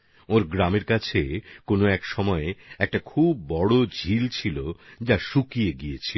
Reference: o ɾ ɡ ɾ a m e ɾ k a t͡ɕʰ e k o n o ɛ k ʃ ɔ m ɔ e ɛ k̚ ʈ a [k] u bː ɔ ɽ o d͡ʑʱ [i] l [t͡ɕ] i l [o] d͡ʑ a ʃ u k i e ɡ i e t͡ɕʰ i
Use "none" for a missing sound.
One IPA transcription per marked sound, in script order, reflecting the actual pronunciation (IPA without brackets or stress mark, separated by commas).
kʰ, i, t͡ɕʰ, o